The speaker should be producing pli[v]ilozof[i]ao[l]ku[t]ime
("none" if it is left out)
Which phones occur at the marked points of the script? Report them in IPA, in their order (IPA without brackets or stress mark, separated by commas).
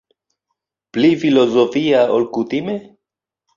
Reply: f, i, l, t